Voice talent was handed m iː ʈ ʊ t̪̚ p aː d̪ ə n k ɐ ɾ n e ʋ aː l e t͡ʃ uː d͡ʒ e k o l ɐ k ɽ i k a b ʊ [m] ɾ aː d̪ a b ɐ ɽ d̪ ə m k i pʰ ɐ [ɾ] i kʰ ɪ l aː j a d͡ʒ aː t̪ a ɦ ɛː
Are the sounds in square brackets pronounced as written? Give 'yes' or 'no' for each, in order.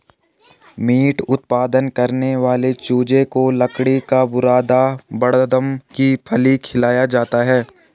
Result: no, no

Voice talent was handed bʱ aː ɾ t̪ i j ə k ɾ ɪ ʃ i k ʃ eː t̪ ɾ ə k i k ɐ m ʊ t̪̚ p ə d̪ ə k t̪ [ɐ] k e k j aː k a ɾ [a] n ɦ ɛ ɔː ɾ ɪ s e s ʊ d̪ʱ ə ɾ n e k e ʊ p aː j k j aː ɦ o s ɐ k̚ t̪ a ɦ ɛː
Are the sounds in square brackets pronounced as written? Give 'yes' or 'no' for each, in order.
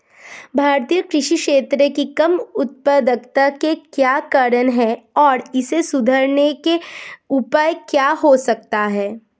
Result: no, no

